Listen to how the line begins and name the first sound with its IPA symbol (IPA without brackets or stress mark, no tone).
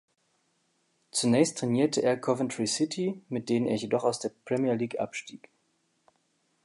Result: t͡s